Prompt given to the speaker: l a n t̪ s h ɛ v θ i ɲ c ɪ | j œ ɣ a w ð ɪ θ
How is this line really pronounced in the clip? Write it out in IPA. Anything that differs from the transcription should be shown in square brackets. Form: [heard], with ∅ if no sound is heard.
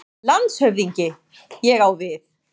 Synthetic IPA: l a n t̪ s h [œ] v [ð] i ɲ c ɪ | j [ɛ] ɣ a w [v] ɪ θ